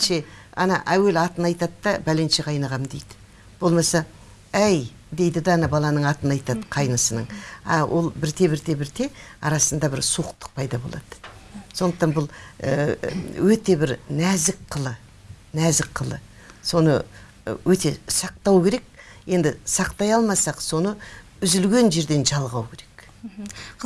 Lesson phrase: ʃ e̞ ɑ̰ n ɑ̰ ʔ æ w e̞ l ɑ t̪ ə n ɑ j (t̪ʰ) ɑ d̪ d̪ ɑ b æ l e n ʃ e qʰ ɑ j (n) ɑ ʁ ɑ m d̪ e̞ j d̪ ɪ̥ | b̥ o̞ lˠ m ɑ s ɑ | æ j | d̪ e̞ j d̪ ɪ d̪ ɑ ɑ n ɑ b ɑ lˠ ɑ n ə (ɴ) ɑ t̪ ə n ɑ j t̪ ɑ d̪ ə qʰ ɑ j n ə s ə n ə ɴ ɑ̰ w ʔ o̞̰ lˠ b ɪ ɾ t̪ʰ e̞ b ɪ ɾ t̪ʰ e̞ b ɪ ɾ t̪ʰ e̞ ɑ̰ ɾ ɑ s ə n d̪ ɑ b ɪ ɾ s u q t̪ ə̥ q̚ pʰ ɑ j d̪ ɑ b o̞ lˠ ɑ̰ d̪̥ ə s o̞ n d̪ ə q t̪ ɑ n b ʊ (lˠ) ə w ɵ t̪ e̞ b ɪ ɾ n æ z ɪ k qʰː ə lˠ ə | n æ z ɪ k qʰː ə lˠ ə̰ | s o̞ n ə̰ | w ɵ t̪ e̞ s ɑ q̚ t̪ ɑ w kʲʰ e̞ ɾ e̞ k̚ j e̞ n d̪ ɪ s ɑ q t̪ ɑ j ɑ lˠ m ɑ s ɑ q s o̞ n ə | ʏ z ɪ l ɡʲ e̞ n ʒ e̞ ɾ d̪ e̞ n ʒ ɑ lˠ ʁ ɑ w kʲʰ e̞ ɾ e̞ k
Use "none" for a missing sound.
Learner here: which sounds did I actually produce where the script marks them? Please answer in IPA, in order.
t̪, n, ɴ, lˠ

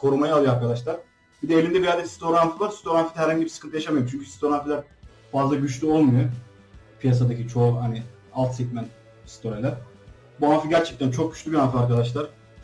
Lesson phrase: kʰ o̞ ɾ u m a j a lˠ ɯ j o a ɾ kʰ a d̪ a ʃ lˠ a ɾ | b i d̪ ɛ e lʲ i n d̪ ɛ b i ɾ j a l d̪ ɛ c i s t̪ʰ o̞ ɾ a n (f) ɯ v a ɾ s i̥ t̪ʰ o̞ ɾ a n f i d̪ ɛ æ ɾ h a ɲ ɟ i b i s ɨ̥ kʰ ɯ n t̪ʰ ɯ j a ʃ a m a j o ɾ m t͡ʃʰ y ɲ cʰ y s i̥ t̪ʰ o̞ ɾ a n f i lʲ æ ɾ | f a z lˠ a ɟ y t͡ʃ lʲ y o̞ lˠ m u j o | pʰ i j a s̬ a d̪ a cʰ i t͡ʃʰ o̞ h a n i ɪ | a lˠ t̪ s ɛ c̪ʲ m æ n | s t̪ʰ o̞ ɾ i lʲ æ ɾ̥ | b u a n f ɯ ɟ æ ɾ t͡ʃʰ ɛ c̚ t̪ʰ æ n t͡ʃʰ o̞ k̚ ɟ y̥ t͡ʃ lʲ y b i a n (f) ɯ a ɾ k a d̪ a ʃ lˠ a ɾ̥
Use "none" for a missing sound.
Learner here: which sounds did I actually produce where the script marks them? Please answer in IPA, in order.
f, f

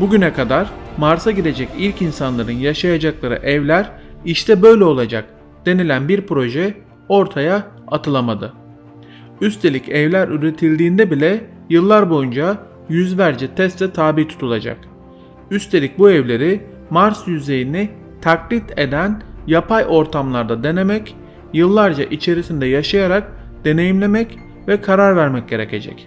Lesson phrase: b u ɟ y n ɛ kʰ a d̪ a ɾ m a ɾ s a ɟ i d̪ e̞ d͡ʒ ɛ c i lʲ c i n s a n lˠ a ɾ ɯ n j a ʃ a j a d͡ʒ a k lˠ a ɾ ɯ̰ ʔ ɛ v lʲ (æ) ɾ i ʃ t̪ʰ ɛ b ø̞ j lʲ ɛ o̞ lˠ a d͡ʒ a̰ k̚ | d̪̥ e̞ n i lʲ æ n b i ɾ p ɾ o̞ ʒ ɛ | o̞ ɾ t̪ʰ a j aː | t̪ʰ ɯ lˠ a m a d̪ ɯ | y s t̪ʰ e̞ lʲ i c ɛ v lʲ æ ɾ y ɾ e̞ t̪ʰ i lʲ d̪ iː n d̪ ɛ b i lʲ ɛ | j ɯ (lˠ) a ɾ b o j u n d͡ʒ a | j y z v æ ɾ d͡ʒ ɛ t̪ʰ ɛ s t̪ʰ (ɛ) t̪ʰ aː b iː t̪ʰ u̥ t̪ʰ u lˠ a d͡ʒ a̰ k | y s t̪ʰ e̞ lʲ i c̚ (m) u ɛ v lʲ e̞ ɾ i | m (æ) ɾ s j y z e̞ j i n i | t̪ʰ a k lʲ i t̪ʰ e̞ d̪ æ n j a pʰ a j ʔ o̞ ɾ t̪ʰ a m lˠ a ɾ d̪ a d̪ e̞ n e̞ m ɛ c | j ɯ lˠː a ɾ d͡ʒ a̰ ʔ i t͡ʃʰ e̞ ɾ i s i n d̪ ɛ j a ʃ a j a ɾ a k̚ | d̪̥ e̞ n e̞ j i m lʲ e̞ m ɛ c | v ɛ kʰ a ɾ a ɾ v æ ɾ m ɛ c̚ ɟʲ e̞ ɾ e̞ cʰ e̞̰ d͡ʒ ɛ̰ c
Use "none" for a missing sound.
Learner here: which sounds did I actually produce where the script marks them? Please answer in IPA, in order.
æ, lˠː, ɛ, b, a

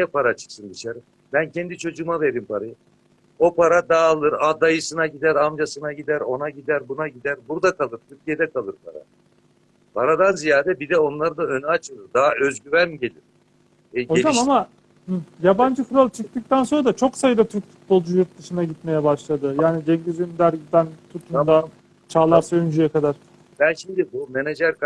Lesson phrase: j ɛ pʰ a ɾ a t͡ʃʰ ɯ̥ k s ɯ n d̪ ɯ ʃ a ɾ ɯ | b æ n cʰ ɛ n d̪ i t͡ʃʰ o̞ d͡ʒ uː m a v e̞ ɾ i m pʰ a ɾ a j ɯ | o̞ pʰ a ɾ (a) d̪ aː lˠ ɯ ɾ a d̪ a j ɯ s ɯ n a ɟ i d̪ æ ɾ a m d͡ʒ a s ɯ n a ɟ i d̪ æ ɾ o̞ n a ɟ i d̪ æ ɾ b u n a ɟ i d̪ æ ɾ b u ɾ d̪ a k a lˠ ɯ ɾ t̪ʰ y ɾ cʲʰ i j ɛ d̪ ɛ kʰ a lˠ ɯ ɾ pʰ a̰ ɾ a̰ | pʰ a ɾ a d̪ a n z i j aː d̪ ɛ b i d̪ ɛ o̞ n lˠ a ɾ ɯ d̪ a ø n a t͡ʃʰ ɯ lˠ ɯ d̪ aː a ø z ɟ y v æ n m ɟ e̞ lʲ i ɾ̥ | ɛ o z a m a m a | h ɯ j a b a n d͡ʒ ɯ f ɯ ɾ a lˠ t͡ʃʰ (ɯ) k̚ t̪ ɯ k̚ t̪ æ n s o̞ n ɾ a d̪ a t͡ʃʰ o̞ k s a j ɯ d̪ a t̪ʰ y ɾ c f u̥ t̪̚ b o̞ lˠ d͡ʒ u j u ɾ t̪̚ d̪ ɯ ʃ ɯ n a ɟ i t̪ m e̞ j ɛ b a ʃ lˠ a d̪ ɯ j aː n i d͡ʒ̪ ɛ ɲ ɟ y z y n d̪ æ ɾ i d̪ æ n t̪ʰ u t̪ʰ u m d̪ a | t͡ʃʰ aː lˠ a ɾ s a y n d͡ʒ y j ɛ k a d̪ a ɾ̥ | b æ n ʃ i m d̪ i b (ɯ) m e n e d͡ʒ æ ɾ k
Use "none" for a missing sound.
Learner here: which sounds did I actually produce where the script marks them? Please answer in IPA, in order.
a, ɯ, u

